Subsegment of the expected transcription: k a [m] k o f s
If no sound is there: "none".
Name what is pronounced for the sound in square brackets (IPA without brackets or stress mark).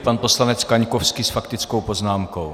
ɲ